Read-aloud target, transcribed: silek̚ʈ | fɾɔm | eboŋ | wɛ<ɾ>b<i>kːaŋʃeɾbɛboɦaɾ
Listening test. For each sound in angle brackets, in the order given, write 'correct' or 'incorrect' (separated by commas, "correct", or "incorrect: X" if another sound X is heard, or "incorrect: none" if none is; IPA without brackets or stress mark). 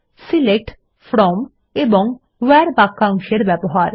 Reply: correct, incorrect: a